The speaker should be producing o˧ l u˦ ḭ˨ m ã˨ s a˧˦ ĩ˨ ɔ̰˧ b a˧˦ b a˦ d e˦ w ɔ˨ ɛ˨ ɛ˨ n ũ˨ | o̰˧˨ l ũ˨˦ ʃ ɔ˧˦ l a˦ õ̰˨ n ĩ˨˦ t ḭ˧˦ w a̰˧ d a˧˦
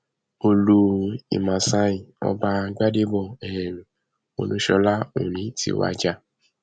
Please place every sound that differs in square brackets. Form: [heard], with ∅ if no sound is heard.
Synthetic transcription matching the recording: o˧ l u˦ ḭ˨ m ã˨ s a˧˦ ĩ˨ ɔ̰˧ b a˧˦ [ɡ͡b] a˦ d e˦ [b] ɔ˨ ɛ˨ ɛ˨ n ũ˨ | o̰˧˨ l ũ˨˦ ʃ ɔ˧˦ l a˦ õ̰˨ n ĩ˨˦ t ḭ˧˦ w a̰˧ [d͡ʒ] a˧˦